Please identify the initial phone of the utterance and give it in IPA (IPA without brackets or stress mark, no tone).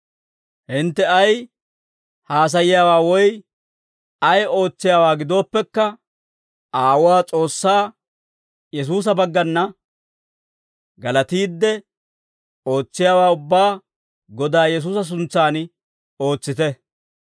h